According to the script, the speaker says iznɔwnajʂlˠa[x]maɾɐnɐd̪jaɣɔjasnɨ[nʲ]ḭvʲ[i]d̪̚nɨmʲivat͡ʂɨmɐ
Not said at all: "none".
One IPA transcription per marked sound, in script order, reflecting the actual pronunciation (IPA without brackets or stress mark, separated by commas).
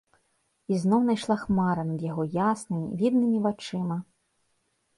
x, mʲ, i